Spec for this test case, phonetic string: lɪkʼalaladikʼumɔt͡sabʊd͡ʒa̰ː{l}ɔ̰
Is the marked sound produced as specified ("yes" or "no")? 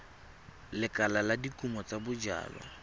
yes